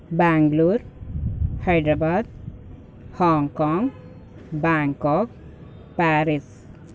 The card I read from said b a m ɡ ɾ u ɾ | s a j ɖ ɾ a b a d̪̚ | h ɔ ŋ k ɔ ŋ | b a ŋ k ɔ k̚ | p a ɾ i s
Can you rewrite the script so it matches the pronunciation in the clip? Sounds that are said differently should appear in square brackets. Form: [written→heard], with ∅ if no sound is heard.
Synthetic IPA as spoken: b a [m→ŋ] ɡ [ɾ→l] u ɾ | [s→h] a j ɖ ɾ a b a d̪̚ | h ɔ ŋ k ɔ ŋ | b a ŋ k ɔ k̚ | p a ɾ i s